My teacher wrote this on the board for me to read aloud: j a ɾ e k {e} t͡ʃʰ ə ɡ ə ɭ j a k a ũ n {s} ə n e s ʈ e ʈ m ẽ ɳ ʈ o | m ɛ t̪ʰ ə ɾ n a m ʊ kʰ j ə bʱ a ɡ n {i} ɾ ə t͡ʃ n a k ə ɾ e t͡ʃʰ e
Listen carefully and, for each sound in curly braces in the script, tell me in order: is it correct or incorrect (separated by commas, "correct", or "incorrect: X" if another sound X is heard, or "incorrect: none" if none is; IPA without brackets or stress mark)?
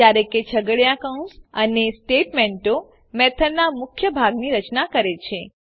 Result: correct, correct, correct